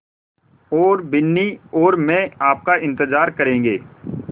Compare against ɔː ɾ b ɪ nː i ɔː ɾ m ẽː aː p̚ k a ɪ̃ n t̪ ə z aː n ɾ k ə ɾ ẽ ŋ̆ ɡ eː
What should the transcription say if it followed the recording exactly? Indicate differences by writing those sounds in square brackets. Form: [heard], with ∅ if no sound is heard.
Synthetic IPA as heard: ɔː ɾ b ɪ nː i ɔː ɾ m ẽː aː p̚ k a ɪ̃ n t̪ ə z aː [∅] ɾ k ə ɾ [ẽː] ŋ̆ ɡ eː